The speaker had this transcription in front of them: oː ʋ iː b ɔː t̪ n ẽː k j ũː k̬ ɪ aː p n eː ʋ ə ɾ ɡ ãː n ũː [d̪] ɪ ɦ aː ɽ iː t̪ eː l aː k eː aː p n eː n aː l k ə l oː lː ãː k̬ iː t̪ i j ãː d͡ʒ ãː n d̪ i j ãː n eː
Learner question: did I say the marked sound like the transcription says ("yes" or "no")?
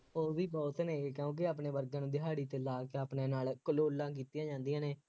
yes